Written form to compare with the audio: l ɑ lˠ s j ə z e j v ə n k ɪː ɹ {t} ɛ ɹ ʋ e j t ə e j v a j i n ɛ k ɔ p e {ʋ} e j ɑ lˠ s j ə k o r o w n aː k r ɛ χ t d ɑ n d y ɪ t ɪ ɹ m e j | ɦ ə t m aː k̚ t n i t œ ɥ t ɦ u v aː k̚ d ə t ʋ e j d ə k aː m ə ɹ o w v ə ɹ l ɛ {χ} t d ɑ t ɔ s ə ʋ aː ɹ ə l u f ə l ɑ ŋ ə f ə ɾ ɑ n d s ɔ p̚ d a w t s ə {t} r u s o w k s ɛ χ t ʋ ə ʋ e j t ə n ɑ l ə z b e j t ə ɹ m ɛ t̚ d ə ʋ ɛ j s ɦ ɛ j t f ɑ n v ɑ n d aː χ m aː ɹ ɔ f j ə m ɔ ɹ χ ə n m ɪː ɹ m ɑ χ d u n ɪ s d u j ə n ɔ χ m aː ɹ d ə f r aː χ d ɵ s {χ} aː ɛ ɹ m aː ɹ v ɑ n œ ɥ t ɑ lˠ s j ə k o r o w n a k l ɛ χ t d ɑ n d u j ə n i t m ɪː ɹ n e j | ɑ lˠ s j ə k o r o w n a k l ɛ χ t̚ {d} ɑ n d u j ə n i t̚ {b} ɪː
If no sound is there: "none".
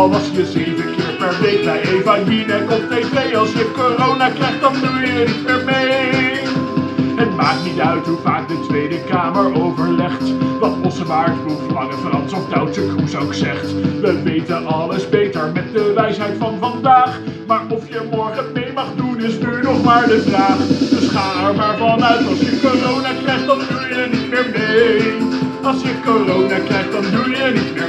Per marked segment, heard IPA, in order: p, v, χ, k, χ, d, m

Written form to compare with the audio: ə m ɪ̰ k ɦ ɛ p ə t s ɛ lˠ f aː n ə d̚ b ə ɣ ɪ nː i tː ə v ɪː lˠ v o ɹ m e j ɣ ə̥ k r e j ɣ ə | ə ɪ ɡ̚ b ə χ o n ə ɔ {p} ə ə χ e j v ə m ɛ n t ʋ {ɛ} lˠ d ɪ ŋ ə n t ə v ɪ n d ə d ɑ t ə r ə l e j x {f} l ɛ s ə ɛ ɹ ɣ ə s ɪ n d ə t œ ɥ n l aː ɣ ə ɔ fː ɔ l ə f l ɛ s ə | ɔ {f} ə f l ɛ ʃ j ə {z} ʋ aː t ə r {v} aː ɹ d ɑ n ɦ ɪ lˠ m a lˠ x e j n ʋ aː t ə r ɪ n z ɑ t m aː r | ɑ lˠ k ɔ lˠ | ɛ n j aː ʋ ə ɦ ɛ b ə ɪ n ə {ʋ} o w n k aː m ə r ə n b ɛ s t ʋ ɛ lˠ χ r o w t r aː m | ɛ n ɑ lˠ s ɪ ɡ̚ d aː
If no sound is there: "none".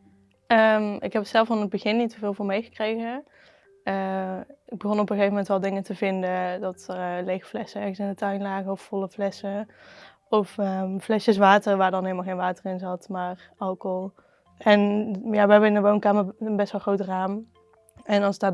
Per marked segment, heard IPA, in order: p, ɛ, f, f, s, ʋ, ʋ

